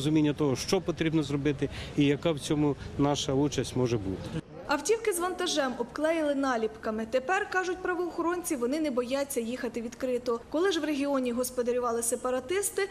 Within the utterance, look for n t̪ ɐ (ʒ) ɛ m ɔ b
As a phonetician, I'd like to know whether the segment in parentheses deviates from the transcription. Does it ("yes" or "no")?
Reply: no